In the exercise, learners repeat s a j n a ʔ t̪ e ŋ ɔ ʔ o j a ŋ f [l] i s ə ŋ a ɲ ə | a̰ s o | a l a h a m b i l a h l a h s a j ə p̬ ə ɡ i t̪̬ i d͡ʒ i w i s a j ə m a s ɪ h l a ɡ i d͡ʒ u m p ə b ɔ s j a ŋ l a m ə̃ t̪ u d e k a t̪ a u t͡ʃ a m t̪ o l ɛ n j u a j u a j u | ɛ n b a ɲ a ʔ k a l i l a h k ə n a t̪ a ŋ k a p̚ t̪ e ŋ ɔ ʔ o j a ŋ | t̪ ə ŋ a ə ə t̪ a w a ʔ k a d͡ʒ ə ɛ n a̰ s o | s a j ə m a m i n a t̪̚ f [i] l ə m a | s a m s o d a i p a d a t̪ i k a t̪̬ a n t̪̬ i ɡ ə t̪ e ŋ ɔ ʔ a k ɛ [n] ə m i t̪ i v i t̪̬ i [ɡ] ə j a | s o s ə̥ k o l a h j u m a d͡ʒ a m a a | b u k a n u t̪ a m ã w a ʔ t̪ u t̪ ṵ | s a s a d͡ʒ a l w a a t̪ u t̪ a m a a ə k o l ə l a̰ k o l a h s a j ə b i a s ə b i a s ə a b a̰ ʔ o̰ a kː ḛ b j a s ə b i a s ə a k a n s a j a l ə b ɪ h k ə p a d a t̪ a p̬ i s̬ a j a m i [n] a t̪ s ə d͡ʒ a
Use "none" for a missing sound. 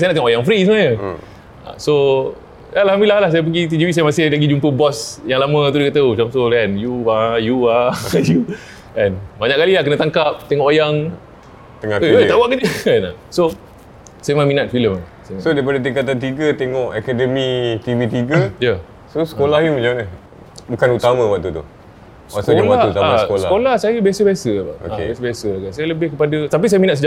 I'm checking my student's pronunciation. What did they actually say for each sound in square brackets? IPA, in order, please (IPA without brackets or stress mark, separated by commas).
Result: ɾ, i, d, ɡ, n